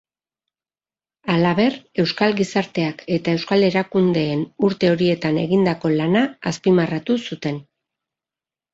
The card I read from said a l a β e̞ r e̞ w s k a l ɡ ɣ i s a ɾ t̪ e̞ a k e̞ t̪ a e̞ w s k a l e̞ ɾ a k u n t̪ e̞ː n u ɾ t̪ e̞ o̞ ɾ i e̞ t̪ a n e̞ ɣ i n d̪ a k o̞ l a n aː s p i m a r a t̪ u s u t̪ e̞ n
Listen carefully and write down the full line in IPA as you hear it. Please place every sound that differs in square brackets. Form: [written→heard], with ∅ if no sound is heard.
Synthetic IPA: a l a β e̞ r e̞ w s k a l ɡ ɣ i s a ɾ t̪ e̞ a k e̞ t̪ a e̞ w s k a l e̞ ɾ a k u n [t̪→d̪] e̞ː n u ɾ t̪ e̞ o̞ ɾ i e̞ t̪ a n e̞ ɣ i n d̪ a k o̞ l a n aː s p i m a r a t̪ u s u t̪ e̞ n